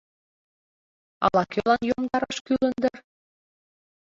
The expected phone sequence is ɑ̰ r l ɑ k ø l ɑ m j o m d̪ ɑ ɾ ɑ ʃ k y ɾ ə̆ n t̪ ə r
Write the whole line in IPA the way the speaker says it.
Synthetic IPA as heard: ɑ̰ l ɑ k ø l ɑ n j o m d̪ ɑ ɾ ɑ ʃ k y l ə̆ n d̪ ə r